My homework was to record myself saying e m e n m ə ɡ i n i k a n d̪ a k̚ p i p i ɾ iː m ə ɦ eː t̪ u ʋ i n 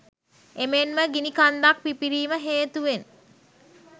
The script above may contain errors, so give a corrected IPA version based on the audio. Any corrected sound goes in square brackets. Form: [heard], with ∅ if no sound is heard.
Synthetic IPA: e m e n m ə ɡ i n i k a n d̪ a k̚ p i p i ɾ iː m ə ɦ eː t̪ u ʋ [e] n